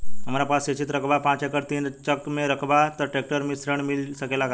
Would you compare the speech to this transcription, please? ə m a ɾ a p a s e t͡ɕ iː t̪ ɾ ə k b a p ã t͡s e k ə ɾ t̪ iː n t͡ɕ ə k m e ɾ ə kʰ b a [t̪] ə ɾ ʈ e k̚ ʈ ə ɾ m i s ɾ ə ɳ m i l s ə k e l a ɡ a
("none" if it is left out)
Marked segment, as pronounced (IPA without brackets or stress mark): t̪